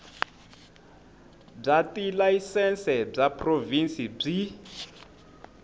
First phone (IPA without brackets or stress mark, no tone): b͡ʐ